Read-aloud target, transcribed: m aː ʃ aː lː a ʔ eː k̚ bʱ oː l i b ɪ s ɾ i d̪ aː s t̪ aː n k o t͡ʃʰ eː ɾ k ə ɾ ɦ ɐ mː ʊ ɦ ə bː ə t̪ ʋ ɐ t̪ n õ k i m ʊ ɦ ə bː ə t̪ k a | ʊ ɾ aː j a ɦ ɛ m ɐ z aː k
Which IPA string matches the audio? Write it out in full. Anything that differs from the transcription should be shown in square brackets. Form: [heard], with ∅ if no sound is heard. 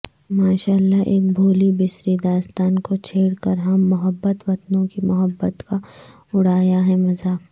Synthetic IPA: m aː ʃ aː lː a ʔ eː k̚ bʱ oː l i b ɪ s ɾ i d̪ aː s t̪ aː n k o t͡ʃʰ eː [ɽ] k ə ɾ ɦ ɐ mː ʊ ɦ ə bː ə t̪ ʋ ɐ t̪ n õ k i m ʊ ɦ ə bː ə t̪ k a | ʊ [ɽ] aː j a ɦ ɛ m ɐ z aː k